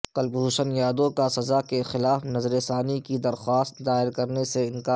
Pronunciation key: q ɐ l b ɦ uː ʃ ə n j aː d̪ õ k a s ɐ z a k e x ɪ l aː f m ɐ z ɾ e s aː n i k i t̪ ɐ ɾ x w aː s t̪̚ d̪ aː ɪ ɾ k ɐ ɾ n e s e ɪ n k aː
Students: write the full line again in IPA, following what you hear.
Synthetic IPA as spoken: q ɐ l b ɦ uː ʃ ə n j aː d̪ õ k a s ɐ z a k e x ɪ l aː f n ɐ z ɾ e s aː n i k i d̪ ɐ ɾ x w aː s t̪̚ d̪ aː ɪ ɾ k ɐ ɾ n e s e ɪ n k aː